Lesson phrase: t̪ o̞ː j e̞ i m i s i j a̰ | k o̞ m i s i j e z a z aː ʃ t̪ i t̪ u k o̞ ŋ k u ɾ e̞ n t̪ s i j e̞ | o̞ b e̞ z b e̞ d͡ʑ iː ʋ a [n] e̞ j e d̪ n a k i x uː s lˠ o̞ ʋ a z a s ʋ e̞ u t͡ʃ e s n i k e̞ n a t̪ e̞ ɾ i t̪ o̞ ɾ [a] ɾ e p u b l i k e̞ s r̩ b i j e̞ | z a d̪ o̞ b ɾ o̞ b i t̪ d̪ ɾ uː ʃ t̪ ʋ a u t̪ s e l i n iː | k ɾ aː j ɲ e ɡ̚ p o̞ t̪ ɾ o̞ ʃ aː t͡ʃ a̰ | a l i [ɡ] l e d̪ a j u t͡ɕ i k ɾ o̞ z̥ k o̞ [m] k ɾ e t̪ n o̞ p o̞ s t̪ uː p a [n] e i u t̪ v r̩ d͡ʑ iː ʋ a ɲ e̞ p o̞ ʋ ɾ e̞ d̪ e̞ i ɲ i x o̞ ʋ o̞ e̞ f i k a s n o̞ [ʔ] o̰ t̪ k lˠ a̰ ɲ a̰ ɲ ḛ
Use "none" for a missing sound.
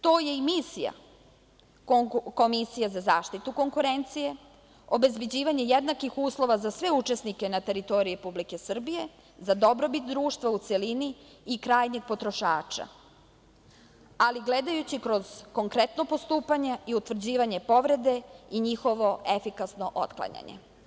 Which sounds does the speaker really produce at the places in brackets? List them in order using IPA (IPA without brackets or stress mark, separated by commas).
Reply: ɲ, i, ɡ, ŋ, ɲ, ʔ